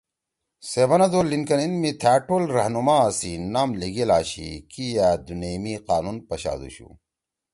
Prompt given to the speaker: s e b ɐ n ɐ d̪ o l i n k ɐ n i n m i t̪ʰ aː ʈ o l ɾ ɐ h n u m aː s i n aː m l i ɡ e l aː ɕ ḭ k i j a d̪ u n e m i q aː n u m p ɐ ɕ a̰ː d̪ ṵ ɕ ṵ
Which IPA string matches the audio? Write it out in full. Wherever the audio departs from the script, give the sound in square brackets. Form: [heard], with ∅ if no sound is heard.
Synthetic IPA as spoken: s e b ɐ n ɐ d̪ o l i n k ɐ n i n m i t̪ʰ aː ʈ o l ɾ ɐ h n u m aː s i n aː m l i ɡ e l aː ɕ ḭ k i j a d̪ u n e m i q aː n u [n] p ɐ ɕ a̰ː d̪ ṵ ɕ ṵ